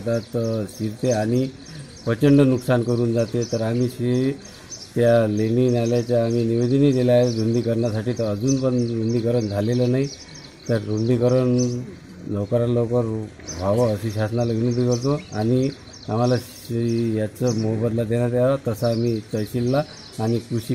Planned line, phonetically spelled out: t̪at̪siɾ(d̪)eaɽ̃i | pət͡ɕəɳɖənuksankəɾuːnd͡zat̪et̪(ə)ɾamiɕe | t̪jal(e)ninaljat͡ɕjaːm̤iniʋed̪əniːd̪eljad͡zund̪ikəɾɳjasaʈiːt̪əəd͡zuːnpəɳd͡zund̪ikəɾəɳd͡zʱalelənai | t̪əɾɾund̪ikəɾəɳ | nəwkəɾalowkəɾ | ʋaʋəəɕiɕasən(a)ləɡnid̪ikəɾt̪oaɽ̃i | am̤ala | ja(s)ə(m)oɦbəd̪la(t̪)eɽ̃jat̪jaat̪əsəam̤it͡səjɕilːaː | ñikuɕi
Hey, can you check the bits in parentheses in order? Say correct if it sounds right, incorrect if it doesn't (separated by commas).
incorrect, correct, correct, correct, incorrect, correct, incorrect